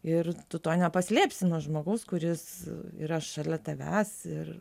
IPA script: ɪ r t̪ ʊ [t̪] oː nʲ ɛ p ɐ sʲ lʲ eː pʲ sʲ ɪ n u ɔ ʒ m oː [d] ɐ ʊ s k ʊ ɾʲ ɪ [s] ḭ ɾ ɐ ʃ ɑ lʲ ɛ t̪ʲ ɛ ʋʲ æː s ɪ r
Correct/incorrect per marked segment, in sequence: correct, incorrect, correct

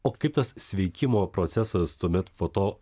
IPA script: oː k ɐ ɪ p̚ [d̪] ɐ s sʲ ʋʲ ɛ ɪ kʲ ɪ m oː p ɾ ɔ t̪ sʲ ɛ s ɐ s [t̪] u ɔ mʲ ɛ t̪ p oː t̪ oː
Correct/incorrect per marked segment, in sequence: incorrect, correct

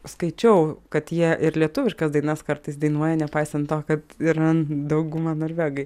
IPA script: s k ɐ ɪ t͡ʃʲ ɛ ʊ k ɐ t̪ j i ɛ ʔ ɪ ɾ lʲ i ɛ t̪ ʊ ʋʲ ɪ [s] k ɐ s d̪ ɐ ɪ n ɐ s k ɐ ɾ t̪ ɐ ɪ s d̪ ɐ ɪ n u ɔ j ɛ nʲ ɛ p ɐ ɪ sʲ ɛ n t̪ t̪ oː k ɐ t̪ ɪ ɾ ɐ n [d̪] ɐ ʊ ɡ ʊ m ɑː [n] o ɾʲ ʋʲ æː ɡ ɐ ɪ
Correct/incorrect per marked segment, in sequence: incorrect, correct, correct

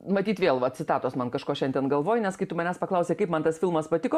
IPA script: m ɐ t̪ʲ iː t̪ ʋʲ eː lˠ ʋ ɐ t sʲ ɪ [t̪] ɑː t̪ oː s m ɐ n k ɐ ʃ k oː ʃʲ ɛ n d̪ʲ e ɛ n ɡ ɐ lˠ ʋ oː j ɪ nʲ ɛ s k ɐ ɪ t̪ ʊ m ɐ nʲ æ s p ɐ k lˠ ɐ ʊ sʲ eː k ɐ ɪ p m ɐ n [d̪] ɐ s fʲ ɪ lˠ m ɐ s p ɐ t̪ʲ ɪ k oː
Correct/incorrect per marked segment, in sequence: correct, incorrect

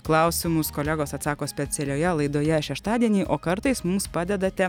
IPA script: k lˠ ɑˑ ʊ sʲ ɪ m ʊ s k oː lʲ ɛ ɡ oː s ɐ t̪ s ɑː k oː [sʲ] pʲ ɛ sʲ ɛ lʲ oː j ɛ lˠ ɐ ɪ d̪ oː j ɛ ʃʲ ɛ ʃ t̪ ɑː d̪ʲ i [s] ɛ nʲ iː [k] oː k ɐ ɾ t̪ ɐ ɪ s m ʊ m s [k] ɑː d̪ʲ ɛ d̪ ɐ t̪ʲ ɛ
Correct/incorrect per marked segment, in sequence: correct, incorrect, incorrect, incorrect

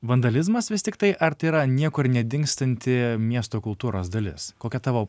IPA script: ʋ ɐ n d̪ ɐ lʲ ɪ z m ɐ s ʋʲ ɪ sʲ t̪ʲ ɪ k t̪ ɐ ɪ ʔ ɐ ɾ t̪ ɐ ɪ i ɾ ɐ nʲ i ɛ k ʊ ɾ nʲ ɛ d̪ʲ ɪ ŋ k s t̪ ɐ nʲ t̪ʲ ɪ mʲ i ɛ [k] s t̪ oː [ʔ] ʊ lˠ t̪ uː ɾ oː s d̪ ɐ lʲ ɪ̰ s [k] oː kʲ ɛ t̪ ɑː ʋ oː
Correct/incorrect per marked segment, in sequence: incorrect, incorrect, correct

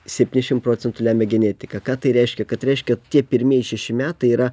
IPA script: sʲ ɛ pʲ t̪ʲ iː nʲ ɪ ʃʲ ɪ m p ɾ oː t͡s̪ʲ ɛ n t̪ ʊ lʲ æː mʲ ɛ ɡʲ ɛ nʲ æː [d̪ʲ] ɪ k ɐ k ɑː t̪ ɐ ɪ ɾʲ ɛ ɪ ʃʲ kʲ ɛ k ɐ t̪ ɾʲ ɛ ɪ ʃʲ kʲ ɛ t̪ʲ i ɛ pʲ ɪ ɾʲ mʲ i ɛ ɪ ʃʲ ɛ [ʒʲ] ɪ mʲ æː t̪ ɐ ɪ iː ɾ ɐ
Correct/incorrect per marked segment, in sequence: incorrect, incorrect

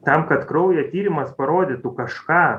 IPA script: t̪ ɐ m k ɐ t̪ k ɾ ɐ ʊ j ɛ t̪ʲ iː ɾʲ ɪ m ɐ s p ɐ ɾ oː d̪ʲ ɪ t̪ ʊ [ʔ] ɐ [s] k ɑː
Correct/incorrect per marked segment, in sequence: incorrect, incorrect

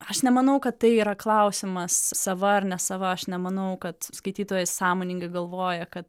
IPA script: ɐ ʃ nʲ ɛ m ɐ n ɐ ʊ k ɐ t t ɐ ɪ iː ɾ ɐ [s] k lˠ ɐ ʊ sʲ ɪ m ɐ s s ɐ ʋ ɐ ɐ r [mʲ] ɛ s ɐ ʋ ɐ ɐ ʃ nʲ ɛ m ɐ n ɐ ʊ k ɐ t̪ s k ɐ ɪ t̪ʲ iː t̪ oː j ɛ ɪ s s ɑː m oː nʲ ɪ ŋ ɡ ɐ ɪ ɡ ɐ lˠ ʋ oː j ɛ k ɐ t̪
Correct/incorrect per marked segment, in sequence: incorrect, incorrect

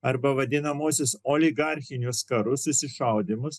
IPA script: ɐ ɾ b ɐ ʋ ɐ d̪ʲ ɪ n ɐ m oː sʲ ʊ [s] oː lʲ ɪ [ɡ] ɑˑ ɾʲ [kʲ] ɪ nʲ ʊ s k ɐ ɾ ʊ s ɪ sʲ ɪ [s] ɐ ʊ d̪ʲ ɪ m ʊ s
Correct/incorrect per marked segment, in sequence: correct, correct, incorrect, incorrect

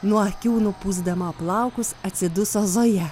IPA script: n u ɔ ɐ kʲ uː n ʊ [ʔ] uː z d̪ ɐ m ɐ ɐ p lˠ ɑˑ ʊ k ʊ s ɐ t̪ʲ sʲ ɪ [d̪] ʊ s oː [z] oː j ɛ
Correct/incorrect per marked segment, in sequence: incorrect, correct, correct

